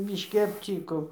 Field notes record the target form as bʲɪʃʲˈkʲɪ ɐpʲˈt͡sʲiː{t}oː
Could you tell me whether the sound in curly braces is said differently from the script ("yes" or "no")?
yes